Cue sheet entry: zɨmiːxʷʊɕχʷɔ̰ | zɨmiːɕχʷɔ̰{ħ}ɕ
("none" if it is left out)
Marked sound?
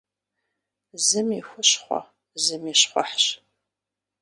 ħ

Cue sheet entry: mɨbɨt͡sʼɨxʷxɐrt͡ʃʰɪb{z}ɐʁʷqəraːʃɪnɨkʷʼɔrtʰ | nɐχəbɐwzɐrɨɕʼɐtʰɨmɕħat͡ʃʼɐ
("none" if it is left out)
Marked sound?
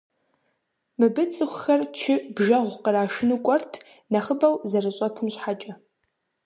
ʒ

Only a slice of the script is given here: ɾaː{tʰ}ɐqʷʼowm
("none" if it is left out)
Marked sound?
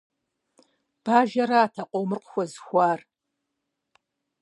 tʰ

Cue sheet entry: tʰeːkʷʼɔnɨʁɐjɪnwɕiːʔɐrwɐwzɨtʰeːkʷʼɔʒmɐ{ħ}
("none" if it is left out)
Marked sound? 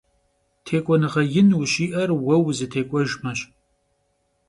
ɕ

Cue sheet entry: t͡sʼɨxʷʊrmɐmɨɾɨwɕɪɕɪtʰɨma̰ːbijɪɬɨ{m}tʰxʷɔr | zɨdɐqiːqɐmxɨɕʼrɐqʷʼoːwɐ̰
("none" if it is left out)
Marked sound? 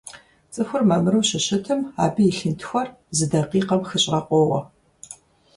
n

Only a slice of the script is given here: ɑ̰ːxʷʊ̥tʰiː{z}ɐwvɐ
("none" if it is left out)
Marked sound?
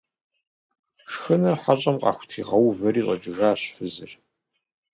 ʁ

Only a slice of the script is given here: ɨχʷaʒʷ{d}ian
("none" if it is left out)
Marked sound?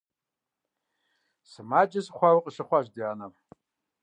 d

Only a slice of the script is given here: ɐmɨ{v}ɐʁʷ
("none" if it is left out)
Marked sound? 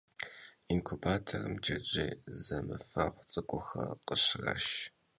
f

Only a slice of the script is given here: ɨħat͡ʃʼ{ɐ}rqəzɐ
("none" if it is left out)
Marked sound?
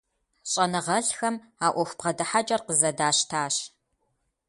ɐ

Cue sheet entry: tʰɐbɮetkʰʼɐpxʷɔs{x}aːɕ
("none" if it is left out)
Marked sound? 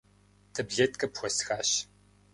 x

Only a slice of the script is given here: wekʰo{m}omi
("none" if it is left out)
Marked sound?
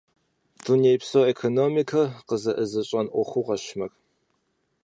n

